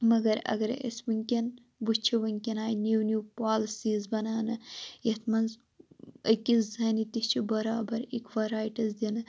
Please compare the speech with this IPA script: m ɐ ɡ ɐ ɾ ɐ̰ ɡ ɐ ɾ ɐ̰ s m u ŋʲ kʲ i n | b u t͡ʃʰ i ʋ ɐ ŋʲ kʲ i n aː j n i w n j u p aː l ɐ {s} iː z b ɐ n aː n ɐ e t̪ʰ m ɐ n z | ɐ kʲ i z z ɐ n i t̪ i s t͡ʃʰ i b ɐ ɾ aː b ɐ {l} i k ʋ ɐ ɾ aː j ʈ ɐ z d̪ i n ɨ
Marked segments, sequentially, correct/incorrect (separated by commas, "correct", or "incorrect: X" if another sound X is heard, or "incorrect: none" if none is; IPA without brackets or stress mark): correct, incorrect: ɾ